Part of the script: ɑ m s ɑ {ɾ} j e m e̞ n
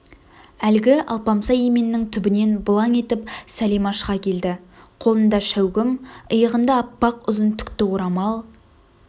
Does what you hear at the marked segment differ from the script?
yes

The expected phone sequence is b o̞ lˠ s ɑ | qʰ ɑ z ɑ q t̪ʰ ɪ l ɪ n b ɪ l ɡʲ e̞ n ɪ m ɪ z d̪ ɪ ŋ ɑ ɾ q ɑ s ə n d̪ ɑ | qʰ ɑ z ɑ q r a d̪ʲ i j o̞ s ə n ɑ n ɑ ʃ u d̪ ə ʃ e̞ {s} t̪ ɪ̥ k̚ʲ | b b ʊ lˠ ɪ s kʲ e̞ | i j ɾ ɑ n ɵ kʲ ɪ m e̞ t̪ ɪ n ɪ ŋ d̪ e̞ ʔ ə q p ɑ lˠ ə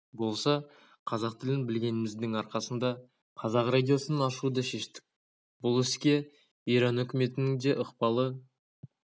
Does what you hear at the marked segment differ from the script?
yes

